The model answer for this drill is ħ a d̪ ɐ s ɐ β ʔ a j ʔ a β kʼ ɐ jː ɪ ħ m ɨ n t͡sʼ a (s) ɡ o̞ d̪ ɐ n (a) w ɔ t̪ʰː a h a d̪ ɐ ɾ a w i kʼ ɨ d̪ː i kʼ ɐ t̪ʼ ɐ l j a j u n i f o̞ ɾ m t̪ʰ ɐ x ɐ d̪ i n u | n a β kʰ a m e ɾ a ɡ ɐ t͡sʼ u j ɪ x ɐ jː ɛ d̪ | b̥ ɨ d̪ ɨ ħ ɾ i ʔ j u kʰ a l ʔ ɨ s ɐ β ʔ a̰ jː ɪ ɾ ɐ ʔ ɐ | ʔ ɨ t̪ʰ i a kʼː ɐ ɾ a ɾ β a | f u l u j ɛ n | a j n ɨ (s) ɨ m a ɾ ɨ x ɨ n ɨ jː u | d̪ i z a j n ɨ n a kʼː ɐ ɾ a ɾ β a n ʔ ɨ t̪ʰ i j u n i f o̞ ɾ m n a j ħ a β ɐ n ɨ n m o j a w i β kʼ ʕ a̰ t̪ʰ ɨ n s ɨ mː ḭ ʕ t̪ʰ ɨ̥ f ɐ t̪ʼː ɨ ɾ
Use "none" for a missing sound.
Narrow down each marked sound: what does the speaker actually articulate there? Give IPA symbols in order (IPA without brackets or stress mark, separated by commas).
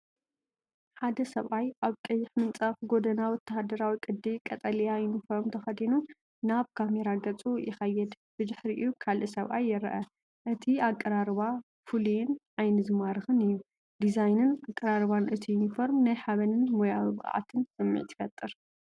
f, a, z